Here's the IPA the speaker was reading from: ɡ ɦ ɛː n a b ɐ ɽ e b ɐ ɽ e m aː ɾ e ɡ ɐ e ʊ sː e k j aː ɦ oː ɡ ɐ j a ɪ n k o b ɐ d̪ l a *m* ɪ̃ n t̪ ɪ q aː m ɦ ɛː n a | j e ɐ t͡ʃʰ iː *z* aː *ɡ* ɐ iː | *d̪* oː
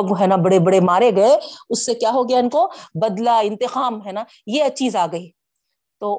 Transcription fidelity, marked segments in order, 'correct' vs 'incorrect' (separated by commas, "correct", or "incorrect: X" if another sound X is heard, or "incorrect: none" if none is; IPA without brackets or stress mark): incorrect: none, correct, correct, incorrect: t̪